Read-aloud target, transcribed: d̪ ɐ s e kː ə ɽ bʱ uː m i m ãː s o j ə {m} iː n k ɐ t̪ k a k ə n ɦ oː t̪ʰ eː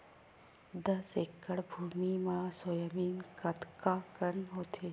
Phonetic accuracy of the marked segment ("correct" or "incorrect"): correct